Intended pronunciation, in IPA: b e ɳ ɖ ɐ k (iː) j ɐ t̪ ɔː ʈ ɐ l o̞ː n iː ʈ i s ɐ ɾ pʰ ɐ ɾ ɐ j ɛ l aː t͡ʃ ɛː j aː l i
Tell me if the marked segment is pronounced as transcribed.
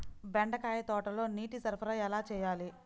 no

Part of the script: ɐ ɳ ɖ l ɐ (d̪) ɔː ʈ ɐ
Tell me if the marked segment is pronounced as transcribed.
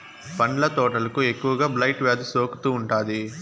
no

